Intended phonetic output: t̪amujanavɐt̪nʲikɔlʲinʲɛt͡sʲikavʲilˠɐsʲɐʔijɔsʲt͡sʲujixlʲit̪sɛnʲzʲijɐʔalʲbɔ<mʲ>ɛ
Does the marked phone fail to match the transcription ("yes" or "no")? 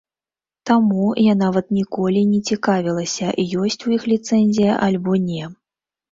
yes